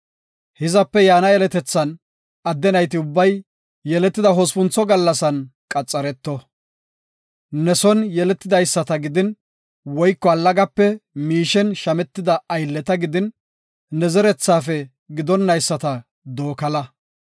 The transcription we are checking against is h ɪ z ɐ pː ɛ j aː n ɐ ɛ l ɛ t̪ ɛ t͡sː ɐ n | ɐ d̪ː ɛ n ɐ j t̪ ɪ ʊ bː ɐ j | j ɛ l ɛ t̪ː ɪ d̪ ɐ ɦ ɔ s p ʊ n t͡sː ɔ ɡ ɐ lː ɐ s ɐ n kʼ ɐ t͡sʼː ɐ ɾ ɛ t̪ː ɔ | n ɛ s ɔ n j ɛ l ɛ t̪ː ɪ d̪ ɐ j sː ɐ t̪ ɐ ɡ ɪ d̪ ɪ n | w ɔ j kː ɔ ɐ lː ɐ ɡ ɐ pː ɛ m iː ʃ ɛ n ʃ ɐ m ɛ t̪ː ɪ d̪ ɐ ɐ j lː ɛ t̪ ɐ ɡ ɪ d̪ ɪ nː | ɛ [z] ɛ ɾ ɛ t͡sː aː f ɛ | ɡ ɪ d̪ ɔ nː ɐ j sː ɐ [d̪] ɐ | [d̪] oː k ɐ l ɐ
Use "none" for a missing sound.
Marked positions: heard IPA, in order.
z, t̪, d̪

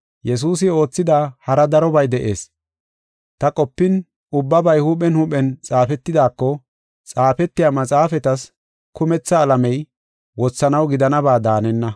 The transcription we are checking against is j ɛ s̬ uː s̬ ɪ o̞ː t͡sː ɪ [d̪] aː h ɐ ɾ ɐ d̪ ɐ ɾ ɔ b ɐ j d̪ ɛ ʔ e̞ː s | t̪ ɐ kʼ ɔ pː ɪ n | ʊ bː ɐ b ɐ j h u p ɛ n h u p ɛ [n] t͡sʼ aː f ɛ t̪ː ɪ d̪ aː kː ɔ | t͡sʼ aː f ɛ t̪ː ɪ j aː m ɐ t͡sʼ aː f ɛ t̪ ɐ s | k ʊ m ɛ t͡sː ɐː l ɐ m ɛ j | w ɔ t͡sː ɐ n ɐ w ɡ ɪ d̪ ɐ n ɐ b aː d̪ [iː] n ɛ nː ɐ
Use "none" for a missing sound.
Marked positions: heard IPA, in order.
d̪, n, aː

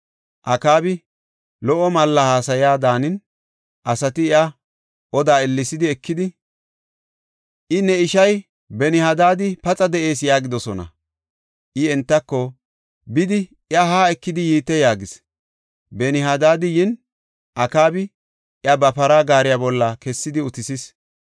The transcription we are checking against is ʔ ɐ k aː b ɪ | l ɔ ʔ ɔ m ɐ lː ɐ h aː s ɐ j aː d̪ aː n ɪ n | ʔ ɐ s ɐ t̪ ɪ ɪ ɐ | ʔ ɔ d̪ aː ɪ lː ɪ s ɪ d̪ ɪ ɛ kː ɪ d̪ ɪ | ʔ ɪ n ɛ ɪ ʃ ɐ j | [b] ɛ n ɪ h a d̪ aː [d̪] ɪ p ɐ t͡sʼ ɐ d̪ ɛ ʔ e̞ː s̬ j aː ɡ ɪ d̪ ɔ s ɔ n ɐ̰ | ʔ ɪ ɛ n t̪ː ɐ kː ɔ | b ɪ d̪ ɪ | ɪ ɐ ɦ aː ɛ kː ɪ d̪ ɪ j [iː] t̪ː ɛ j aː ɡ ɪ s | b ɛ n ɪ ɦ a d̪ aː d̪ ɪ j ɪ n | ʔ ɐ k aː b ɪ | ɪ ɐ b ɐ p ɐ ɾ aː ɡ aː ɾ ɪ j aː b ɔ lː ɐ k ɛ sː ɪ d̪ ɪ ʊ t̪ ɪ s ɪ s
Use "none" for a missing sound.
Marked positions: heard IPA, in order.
b, d̪, iː

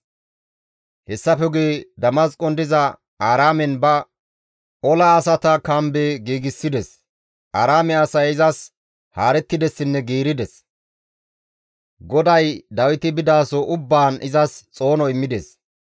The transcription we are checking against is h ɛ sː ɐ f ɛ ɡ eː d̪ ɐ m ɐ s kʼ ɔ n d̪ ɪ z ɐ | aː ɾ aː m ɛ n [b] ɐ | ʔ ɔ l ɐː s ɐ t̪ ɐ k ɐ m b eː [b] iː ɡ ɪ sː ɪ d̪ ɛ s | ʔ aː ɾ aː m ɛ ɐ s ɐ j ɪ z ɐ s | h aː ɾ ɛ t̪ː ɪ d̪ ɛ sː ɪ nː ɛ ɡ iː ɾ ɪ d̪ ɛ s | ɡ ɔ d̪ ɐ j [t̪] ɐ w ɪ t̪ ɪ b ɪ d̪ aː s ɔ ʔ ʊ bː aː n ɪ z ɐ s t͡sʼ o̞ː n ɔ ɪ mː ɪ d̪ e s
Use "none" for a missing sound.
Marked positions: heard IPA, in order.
b, ɡ, d̪

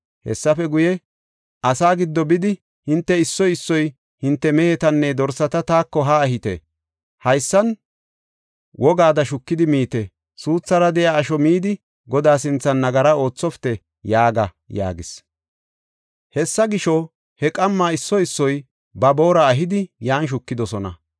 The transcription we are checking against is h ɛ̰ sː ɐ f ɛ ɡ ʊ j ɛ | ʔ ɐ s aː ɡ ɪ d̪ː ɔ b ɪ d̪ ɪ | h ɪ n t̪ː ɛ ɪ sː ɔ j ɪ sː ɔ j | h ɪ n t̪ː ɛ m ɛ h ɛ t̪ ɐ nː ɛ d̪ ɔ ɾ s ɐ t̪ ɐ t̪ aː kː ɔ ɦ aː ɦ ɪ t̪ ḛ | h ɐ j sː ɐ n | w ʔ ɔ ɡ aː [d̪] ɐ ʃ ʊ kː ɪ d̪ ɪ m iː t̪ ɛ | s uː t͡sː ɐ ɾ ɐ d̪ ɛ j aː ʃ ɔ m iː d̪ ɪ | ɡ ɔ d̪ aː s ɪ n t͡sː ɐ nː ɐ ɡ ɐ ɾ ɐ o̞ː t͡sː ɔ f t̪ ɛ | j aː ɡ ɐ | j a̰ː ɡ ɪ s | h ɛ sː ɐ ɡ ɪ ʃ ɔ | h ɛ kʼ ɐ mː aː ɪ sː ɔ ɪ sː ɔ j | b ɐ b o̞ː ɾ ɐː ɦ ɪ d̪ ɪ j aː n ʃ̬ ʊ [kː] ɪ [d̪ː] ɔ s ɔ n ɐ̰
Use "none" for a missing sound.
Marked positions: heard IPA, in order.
d̪, kː, d̪

